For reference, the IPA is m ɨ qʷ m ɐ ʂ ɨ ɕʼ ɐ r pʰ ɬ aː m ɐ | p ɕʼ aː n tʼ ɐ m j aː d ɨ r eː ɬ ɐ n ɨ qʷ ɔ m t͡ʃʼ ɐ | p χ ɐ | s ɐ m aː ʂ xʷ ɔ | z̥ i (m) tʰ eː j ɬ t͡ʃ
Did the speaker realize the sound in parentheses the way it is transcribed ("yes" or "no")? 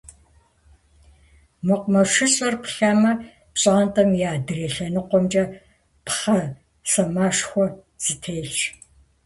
no